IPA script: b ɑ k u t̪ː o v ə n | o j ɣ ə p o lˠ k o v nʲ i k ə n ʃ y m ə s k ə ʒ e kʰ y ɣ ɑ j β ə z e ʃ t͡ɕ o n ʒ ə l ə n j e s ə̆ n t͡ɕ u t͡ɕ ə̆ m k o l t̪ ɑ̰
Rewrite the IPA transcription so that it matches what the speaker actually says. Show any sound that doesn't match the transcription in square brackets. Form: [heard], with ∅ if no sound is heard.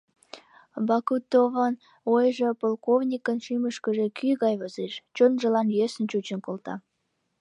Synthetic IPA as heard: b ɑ k u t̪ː o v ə n | o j [ʒ] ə p o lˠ k o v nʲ i k ə n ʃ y m ə [ʃ] k ə ʒ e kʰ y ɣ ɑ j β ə z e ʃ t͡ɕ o n ʒ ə l [ɑ] n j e s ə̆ n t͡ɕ u t͡ɕ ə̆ [n] k o l t̪ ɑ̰